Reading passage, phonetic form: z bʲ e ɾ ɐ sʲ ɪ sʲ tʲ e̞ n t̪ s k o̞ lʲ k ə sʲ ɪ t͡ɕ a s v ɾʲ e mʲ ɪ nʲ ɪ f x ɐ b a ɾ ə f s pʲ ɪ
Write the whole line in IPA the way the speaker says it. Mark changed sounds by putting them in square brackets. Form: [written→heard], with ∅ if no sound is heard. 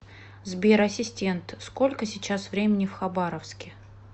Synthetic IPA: z bʲ e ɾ ɐ sʲ ɪ sʲ tʲ e̞ n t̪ s k o̞ lʲ k ə sʲ ɪ t͡ɕ a s v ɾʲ e mʲ ɪ nʲ ɪ f x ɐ b a ɾ ə f s [pʲ→kʲ] ɪ